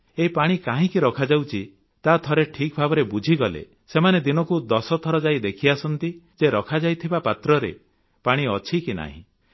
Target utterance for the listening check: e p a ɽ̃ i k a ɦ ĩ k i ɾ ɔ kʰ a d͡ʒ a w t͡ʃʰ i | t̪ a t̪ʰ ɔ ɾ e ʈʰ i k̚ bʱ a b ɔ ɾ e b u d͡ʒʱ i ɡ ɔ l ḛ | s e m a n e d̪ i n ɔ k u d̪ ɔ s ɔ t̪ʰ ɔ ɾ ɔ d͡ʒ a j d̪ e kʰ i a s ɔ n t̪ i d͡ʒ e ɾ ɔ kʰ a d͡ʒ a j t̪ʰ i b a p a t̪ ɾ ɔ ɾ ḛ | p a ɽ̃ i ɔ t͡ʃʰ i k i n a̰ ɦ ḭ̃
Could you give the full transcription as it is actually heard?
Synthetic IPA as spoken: e p a ɽ̃ i k a ɦ ĩ k i ɾ ɔ kʰ a d͡ʒ a w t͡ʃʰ i | t̪ a t̪ʰ ɔ ɾ e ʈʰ i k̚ bʱ a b ɔ ɾ e b u d͡ʒʱ i ɡ ɔ l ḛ | s e m a n e d̪ i n ɔ k u d̪ ɔ s ɔ t̪ʰ ɔ ɾ ɔ d͡ʒ a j d̪ e kʰ i a s ɔ n t̪ i d͡ʒ e ɾ ɔ kʰ a d͡ʒ a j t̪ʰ i b a p a t̪ ɾ ɔ ɾ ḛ | p a ɽ̃ i ɔ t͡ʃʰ i k i n a̰ ɦ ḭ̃

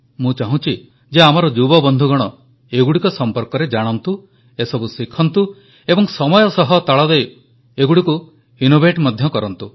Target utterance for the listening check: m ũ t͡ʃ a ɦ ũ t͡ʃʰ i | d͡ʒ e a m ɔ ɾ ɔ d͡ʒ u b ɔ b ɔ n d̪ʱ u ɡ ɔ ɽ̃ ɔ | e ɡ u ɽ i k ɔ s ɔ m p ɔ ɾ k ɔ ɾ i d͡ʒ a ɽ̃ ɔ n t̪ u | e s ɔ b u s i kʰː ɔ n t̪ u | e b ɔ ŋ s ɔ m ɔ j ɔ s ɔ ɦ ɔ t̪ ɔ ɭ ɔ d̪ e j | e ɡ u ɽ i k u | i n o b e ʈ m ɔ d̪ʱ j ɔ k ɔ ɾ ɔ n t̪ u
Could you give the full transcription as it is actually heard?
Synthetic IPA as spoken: m ũ t͡ʃ a ɦ ũ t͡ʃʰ i | d͡ʒ e a m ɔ ɾ ɔ d͡ʒ u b ɔ b ɔ n d̪ʱ u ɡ ɔ ɽ̃ ɔ | e ɡ u ɽ i k ɔ s ɔ m p ɔ ɾ k ɔ ɾ e d͡ʒ a ɽ̃ ɔ n t̪ u | e s ɔ b u s i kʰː ɔ n t̪ u | e b ɔ ŋ s ɔ m ɔ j ɔ s ɔ ɦ ɔ t̪ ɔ ɭ ɔ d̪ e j | e ɡ u ɽ i k u | i n o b e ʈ m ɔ d̪ʱ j ɔ k ɔ ɾ ɔ n t̪ u

